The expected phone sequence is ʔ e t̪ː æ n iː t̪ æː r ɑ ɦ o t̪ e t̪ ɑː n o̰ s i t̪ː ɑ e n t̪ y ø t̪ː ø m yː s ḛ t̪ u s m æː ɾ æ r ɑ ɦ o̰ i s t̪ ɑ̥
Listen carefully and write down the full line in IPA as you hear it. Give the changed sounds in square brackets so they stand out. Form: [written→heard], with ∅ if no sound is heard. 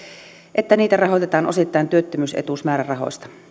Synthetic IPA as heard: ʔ e t̪ː æ n iː t̪ [æː→æ] r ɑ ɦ o t̪ e t̪ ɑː n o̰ s i t̪ː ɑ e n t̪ y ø t̪ː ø m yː s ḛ t̪ u s m æː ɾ æ r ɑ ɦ o̰ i s t̪ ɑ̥